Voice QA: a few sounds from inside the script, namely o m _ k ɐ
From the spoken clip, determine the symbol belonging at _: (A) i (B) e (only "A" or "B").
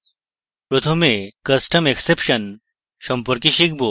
B